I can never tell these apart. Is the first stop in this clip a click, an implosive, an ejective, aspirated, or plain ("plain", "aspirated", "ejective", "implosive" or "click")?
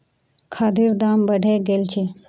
aspirated